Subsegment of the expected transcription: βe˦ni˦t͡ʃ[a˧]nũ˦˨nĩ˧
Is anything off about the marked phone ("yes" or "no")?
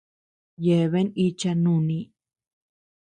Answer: no